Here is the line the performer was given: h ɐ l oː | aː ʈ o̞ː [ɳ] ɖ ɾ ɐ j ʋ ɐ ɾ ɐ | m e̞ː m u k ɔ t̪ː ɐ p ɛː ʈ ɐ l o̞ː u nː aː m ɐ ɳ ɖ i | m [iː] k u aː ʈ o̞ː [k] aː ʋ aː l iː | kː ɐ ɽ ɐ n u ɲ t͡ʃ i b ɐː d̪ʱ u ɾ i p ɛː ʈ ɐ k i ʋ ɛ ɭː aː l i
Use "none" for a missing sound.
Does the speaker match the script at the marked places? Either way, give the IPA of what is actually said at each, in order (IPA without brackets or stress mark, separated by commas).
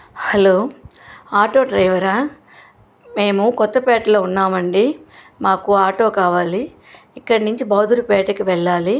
none, aː, k